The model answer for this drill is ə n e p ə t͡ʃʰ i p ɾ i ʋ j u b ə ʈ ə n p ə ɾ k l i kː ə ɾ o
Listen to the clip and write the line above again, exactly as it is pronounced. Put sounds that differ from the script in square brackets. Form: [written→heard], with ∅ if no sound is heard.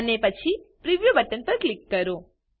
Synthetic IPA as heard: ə n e p ə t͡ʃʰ i p ɾ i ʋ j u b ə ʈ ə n p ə ɾ k l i kː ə ɾ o